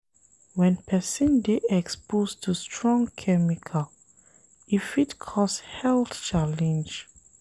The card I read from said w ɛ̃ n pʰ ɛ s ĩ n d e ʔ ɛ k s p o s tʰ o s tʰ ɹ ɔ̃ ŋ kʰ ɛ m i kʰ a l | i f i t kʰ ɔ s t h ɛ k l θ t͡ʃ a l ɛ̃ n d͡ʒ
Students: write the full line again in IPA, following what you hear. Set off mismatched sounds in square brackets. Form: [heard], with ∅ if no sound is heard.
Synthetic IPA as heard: w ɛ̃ n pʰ ɛ s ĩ n d e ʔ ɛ k s p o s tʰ [u] s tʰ ɹ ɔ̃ ŋ kʰ ɛ m i kʰ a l | i f i t kʰ ɔ s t h ɛ [∅] l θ t͡ʃ a l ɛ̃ n d͡ʒ